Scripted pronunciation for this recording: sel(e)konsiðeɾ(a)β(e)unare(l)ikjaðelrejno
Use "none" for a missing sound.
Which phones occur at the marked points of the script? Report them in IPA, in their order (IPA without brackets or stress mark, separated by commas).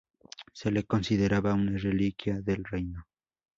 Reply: e, a, a, l